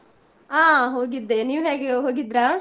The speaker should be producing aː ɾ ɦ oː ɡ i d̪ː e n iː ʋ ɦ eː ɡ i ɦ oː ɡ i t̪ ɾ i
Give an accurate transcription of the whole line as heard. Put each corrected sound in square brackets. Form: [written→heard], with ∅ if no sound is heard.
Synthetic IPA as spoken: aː [ɾ→∅] ɦ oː ɡ i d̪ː e n iː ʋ ɦ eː ɡ [i→e] ɦ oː ɡ i [t̪→d̪] ɾ [i→a]